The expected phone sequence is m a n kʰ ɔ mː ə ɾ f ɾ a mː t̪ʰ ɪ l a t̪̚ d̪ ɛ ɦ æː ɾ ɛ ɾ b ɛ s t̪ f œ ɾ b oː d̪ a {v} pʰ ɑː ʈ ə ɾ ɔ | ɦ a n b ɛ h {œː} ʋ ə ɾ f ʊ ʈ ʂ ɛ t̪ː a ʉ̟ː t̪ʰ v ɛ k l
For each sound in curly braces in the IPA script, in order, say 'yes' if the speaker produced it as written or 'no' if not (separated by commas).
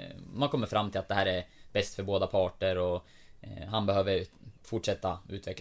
no, no